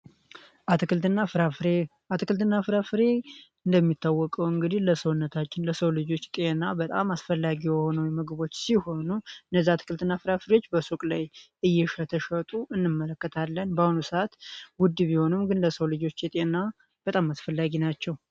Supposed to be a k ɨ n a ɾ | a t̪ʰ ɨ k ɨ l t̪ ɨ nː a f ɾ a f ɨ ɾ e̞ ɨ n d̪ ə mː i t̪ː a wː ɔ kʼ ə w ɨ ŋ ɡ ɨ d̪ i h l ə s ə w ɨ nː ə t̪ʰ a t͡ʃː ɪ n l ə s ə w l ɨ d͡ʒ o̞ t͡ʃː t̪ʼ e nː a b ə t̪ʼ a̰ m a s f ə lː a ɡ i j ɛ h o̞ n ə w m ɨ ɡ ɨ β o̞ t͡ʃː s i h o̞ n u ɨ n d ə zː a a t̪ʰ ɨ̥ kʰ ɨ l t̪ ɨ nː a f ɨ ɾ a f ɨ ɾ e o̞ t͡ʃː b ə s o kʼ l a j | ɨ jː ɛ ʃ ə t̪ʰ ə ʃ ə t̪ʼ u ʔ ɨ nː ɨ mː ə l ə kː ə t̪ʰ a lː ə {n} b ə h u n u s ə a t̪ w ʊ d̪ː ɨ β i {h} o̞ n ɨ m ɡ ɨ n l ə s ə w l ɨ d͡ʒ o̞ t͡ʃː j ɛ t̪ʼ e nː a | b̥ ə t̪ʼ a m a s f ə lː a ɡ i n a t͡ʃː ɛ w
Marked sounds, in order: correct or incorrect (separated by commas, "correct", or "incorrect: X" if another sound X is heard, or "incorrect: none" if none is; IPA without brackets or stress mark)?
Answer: correct, correct